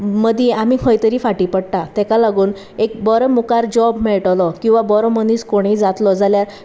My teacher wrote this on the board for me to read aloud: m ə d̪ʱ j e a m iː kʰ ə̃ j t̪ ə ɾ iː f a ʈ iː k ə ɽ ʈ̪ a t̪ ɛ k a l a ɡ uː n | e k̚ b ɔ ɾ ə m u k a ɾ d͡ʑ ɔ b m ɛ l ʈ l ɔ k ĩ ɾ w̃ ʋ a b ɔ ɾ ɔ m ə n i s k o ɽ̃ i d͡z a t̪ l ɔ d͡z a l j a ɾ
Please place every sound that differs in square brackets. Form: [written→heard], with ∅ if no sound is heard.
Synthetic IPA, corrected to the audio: m ə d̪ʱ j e a m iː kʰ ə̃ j t̪ ə ɾ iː f a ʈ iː [k→p] ə ɽ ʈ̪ a t̪ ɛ k a l a ɡ uː n | e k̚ b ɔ ɾ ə m u k a ɾ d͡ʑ ɔ b m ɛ [l→ɭ] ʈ l ɔ k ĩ [ɾ→∅] w̃ ʋ a b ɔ ɾ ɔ m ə n i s k o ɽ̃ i d͡z a t̪ l ɔ d͡z a l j a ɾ

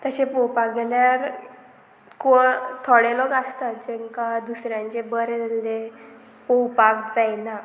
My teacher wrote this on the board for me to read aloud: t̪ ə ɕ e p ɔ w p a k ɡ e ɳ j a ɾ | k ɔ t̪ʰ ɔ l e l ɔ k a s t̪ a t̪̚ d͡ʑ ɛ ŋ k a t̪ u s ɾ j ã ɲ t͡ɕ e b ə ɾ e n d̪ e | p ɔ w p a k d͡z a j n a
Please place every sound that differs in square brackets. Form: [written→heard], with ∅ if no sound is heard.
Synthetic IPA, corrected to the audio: t̪ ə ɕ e p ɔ w p a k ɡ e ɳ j a ɾ | k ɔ t̪ʰ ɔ [l→ɽ] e l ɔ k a s t̪ a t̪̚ d͡ʑ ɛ ŋ k a [t̪→d̪] u s ɾ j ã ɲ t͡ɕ e b ə ɾ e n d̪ e | p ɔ w p a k d͡z a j n a

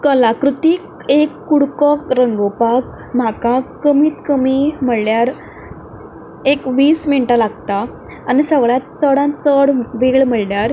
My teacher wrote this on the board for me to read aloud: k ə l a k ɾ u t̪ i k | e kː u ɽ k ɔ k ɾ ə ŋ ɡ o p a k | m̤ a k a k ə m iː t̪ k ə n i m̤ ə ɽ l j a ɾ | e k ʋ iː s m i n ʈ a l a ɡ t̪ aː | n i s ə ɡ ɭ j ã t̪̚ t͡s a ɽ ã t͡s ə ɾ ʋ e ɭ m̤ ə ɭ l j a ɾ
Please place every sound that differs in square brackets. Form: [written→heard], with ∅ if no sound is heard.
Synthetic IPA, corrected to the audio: k ə l a k ɾ u t̪ i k | e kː u ɽ k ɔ k ɾ ə ŋ ɡ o p a k | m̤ a k a k ə m iː t̪ k ə [n→m] i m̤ ə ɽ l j a ɾ | e k ʋ iː s m i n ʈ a l a ɡ t̪ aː | n i s ə ɡ ɭ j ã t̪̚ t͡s [a→ə] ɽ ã t͡s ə [ɾ→ɽ] ʋ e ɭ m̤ ə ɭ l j a ɾ

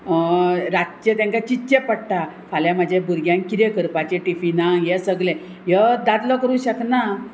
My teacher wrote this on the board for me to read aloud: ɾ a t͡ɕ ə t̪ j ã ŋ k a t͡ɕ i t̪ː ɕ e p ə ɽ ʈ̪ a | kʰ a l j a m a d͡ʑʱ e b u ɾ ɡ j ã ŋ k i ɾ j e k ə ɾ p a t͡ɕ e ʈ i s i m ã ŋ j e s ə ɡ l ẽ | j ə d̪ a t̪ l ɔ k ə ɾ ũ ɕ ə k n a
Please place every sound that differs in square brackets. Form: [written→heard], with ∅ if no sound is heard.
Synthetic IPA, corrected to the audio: ɾ a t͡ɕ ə t̪ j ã ŋ k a t͡ɕ i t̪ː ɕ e p ə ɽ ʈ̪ a | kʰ a l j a m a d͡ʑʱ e b u ɾ ɡ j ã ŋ k i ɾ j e k ə ɾ p a t͡ɕ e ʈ i [s→f] i [m→n] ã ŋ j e s ə ɡ l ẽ | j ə d̪ a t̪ l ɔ k ə ɾ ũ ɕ ə k n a

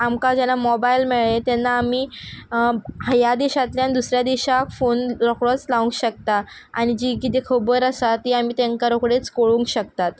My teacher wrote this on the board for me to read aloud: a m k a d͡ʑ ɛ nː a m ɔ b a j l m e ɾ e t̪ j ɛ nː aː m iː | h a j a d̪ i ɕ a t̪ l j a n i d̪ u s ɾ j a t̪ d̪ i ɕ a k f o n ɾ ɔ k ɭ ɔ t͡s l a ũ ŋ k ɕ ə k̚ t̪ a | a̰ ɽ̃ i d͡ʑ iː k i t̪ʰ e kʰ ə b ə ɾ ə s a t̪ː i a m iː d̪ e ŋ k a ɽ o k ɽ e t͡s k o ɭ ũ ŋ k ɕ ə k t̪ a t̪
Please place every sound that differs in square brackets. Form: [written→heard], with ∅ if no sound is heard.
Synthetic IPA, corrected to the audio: a m k a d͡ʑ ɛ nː a m ɔ b a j l m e [ɾ→ɭ] e t̪ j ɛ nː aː m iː | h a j a d̪ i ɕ a t̪ l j a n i d̪ u s ɾ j a [t̪→∅] d̪ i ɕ a k f o n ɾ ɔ k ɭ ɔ t͡s l a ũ ŋ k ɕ ə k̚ t̪ a | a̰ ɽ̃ i d͡ʑ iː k i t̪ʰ e kʰ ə b ə ɾ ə s a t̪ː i a m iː [d̪→t̪] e ŋ k a [ɽ→ɾ] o k ɽ e t͡s k o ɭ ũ ŋ k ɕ ə k t̪ a t̪

